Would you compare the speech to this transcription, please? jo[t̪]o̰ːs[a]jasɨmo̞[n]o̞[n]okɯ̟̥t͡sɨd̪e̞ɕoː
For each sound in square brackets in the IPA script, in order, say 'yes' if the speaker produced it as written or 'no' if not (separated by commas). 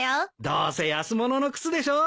no, no, yes, yes